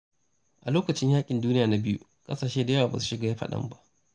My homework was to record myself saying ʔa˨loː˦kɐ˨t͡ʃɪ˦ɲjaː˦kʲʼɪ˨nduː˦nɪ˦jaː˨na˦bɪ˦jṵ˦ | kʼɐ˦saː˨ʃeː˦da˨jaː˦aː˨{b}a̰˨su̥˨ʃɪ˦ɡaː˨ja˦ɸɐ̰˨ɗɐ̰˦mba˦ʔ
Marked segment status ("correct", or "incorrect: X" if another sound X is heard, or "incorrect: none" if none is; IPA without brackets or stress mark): correct